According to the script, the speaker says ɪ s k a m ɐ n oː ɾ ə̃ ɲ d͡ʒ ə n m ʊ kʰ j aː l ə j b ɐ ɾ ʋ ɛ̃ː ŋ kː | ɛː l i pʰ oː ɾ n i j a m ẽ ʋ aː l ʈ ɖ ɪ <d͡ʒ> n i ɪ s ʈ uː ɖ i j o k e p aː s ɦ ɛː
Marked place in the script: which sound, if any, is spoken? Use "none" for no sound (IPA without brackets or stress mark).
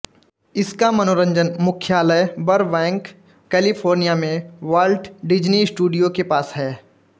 d͡ʒ